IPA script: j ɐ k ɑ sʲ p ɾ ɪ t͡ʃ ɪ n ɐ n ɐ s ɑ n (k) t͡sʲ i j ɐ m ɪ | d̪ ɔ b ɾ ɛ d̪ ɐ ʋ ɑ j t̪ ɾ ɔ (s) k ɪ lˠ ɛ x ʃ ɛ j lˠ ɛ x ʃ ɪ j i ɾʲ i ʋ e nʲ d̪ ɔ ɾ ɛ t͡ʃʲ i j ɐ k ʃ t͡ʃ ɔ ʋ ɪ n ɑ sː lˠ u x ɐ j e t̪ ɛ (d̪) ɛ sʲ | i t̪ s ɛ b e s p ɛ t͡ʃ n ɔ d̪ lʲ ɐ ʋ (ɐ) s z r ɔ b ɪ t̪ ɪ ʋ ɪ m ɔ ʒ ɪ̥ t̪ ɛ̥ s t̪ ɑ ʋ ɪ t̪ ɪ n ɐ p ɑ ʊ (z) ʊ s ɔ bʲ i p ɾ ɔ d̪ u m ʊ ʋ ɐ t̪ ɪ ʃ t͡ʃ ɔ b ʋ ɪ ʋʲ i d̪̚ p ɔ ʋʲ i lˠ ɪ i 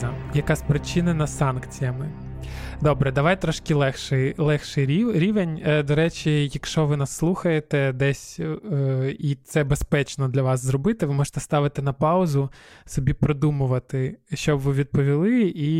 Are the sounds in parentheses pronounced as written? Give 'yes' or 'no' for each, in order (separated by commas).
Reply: yes, no, yes, no, yes